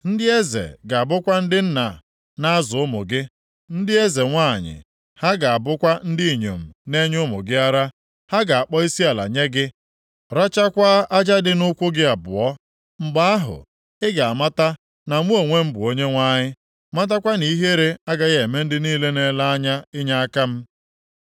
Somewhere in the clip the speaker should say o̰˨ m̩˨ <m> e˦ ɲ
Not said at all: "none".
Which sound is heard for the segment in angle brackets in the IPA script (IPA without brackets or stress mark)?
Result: n